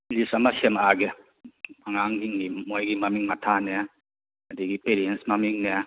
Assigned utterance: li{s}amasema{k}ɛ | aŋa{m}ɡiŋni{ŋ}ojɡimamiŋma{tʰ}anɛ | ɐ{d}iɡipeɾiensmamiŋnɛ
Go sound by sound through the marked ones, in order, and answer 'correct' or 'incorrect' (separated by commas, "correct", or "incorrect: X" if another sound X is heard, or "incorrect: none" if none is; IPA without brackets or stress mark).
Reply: correct, incorrect: ɡ, incorrect: ŋ, incorrect: m, correct, correct